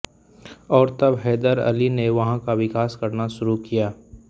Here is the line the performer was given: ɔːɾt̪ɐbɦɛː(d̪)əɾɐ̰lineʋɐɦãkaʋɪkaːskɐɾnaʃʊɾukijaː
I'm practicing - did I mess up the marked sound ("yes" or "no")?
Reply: no